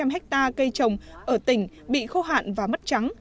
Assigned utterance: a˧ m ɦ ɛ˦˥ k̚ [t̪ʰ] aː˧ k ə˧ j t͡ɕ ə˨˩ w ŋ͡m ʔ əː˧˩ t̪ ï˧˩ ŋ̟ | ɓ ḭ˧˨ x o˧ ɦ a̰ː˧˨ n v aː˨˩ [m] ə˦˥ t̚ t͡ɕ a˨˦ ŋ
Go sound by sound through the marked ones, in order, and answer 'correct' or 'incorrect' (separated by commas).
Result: incorrect, correct